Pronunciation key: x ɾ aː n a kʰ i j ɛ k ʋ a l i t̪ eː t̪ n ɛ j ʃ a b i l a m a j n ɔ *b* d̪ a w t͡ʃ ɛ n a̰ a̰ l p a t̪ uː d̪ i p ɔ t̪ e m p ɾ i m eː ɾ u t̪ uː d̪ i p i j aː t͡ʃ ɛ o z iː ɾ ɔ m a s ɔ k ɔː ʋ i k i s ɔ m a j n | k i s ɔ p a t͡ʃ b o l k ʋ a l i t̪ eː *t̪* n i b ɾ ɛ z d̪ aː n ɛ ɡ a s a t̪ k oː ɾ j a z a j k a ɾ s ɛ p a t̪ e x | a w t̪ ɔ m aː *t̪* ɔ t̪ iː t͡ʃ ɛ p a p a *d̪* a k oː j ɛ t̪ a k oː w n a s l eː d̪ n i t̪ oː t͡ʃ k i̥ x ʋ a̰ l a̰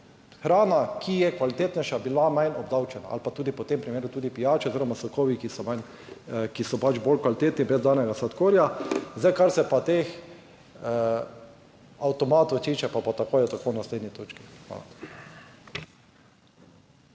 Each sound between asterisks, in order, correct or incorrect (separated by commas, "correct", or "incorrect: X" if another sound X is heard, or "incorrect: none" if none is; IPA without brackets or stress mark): correct, correct, correct, incorrect: t̪